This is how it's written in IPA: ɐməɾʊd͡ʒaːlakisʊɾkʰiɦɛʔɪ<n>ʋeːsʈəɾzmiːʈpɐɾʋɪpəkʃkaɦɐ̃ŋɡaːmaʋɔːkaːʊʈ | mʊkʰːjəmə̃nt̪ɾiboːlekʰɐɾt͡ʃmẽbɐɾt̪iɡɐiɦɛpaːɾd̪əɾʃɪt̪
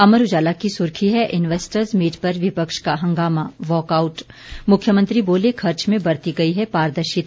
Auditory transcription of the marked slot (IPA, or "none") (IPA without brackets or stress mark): n